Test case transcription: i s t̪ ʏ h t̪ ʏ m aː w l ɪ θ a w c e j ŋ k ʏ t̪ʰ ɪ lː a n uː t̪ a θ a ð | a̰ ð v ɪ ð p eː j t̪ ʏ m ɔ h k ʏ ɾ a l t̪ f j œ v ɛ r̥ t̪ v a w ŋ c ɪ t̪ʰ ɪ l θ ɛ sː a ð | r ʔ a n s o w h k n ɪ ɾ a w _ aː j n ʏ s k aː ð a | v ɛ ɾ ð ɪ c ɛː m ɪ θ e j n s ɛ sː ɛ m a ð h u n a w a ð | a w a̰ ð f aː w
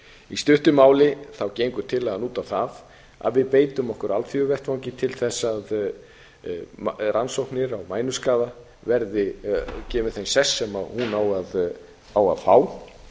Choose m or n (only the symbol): m